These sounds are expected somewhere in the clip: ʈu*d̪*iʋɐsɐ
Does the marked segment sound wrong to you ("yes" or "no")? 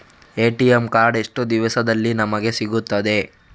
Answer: no